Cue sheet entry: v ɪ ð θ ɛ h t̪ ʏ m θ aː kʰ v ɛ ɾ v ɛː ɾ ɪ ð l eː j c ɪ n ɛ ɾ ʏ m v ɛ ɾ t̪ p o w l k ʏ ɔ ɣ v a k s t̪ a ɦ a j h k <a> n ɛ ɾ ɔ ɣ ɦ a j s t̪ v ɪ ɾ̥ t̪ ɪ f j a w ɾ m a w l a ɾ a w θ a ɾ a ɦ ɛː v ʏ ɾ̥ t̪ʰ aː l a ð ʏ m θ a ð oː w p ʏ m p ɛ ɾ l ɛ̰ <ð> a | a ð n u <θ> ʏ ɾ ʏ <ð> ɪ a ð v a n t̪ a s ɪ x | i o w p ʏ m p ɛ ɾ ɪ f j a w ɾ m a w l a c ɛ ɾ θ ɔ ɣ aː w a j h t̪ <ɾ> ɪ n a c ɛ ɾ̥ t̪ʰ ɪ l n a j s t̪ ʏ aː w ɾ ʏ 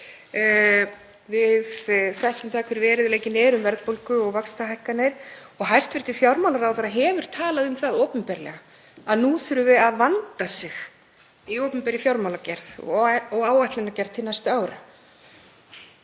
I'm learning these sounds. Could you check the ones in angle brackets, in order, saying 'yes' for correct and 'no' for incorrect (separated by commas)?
yes, no, yes, no, no